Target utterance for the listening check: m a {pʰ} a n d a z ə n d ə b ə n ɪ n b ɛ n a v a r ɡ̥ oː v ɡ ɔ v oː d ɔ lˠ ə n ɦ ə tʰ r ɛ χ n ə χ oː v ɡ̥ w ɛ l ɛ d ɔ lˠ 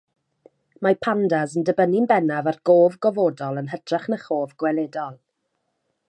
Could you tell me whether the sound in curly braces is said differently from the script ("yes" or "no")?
no